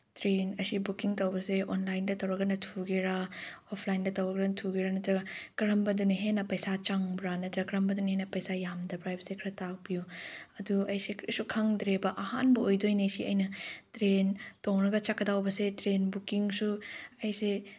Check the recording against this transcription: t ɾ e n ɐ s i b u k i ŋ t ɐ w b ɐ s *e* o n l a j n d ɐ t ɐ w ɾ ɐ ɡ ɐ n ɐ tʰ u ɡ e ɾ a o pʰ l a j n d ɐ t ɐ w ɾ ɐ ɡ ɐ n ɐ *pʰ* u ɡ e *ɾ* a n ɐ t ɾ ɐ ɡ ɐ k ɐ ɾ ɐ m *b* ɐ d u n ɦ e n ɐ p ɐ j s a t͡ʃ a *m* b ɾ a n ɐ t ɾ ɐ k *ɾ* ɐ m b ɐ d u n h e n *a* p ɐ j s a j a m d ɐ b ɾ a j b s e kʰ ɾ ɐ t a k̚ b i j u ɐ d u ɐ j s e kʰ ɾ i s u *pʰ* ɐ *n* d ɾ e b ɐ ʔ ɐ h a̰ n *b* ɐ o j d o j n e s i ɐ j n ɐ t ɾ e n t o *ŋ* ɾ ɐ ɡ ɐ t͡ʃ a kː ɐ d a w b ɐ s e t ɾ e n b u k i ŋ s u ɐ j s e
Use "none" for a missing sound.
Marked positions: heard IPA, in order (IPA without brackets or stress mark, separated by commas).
e, tʰ, ɾ, b, ŋ, ɾ, ɐ, kʰ, ŋ, b, ŋ